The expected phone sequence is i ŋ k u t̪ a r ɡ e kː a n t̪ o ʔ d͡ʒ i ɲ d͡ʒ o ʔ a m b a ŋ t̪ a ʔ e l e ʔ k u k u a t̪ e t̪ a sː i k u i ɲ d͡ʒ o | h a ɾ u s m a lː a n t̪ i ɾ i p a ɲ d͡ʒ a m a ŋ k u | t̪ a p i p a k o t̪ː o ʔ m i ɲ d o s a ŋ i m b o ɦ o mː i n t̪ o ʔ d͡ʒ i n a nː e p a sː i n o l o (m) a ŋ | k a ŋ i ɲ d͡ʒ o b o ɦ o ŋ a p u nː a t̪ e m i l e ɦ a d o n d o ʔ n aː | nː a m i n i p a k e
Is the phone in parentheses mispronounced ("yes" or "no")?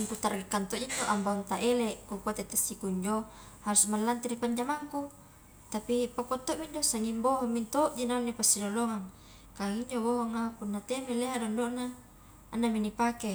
yes